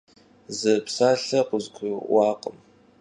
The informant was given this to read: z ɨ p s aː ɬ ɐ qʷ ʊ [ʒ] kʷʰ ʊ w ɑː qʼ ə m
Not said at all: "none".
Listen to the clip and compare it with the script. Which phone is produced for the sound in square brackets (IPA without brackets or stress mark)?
z